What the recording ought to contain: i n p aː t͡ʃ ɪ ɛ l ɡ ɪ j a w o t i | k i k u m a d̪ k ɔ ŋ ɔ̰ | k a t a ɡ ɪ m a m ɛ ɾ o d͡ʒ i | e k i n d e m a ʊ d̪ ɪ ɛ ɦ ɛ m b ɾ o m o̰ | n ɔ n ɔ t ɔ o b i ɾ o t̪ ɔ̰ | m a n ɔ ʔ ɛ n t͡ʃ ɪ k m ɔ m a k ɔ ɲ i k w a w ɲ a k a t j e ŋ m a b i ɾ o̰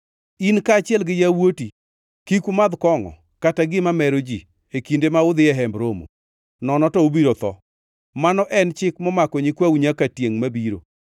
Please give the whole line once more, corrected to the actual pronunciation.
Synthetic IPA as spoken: i n k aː t͡ʃ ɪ ɛ l ɡ ɪ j a w o t i | k i k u m a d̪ k ɔ ŋ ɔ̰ | k a t a ɡ ɪ m a m ɛ ɾ o d͡ʒ i | e k i n d e m a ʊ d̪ ɪ ɛ ɦ ɛ m b ɾ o m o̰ | n ɔ n ɔ t ɔ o b i ɾ o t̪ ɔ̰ | m a n ɔ ʔ ɛ n t͡ʃ ɪ k m ɔ m a k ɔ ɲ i k w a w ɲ a k a t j e ŋ m a b i ɾ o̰